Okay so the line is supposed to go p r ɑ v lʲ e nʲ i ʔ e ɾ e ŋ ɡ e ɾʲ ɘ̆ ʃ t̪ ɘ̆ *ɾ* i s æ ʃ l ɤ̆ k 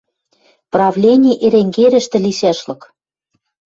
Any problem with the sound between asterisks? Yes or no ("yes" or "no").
yes